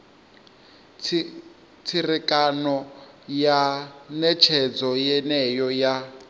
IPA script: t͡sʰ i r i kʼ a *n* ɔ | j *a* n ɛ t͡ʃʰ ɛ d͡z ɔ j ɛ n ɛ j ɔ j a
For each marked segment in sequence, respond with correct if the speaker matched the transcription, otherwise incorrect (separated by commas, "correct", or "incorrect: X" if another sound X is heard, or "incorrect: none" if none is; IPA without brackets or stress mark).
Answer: correct, correct